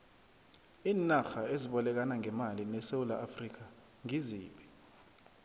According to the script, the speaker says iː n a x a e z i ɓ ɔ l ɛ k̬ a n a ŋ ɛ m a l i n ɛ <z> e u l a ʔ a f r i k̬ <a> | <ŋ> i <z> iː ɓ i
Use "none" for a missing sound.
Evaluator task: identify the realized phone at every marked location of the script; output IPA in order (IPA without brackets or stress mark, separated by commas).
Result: s, a, ŋ, z